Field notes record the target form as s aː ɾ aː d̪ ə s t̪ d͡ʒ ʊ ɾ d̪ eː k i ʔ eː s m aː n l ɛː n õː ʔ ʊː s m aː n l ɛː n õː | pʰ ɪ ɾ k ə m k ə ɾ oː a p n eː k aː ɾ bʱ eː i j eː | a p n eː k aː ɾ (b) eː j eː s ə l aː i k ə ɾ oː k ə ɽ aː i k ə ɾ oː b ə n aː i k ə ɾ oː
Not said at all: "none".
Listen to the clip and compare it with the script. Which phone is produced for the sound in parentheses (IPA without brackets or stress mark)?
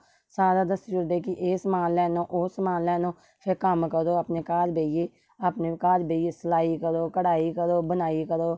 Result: b